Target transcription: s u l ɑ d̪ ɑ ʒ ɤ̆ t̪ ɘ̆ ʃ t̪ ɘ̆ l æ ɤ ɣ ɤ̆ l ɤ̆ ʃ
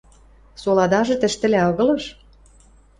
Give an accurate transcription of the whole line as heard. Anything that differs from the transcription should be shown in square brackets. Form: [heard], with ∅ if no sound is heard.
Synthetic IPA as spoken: s [o] l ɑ d̪ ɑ ʒ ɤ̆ t̪ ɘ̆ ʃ t̪ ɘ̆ l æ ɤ ɣ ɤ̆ l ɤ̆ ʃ